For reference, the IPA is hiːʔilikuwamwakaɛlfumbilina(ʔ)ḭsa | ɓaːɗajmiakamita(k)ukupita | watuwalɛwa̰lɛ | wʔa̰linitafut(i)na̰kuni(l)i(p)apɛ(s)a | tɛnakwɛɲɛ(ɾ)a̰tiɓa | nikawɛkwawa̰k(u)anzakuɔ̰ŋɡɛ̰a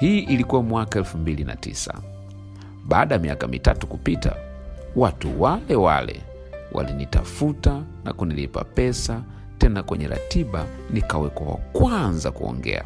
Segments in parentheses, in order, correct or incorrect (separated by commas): incorrect, incorrect, incorrect, correct, correct, correct, correct, incorrect